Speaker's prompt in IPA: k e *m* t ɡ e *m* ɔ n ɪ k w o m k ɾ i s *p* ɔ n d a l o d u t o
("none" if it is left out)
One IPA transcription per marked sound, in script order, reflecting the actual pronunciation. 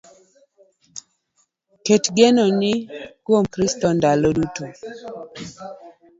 none, n, t

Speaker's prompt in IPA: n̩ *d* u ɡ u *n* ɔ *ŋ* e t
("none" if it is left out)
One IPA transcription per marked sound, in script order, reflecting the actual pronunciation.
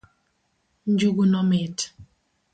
d͡ʒ, n, m

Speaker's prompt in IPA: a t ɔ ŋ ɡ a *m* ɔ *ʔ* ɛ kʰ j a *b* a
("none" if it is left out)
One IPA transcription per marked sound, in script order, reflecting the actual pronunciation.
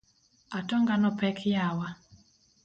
n, p, w

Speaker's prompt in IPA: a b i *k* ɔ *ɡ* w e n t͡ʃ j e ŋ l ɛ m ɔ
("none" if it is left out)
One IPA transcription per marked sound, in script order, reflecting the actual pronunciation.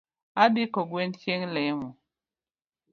k, ɡ

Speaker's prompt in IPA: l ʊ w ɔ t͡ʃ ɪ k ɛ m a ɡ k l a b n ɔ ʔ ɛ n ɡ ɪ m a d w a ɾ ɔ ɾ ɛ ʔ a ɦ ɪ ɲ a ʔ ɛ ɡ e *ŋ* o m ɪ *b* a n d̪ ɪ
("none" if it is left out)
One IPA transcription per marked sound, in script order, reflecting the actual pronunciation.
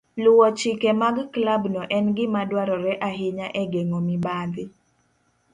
ŋ, b

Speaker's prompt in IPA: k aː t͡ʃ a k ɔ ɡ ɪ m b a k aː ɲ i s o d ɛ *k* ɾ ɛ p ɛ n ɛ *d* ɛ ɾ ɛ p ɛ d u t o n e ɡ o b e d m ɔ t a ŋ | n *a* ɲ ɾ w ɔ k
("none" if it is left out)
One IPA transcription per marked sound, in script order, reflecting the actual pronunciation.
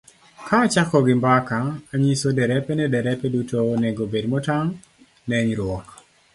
none, d, ɛ

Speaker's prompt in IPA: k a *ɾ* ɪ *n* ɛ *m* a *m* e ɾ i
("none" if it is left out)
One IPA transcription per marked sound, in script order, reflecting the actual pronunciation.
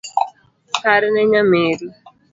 ɾ, n, ɲ, m

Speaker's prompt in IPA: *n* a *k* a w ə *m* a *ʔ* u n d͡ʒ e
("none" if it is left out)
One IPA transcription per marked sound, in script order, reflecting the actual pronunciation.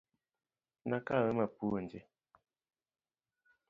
n, k, m, p

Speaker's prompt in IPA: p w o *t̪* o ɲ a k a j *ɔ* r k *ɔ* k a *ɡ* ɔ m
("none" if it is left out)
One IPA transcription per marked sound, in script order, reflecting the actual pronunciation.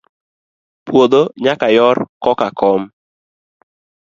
d̪, ɔ, ɔ, k

